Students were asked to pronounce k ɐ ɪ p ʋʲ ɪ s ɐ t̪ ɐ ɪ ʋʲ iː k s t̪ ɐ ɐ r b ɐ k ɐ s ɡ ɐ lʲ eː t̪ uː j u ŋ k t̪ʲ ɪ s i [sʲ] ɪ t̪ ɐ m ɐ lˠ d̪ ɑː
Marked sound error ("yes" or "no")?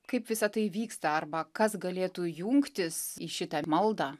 yes